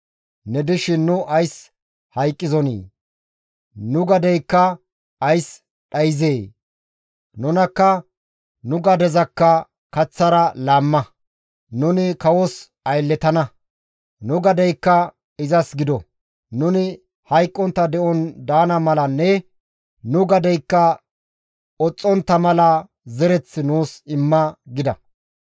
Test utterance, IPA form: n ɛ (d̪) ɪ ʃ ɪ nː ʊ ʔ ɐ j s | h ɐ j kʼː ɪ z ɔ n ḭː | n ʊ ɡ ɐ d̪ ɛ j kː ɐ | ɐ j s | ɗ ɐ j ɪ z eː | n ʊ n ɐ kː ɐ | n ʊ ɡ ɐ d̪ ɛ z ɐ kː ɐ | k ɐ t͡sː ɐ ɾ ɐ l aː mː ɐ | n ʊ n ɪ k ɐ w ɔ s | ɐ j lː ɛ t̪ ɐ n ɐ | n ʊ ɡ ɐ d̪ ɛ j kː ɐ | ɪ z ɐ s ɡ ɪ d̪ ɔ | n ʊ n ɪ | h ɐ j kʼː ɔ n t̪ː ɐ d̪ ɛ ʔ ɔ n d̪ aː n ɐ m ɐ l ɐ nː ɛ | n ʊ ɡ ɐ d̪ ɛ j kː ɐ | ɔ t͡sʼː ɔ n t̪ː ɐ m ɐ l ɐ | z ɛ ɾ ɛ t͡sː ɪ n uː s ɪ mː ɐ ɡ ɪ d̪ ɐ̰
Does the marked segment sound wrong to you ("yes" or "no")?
no